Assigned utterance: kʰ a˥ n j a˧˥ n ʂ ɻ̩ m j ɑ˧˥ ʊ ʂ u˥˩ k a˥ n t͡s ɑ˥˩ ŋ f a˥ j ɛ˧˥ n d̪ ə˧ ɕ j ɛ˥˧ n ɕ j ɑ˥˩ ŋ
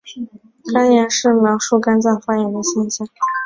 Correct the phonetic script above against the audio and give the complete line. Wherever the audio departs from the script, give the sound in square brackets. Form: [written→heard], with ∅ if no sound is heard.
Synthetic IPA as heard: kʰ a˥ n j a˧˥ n ʂ ɻ̩ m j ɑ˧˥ ʊ ʂ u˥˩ k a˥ n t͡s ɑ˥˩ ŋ f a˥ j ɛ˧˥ n d̪ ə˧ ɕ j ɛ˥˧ n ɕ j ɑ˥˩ ŋ